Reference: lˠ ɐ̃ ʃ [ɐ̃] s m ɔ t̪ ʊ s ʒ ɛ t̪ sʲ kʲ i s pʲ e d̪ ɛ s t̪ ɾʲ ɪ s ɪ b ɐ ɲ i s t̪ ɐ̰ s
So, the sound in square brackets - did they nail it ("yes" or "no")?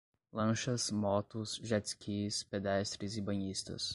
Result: no